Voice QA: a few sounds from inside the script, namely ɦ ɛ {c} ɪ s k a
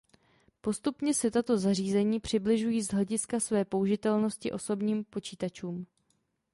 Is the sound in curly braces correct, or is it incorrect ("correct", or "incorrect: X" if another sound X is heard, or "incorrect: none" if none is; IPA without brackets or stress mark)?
incorrect: ɟ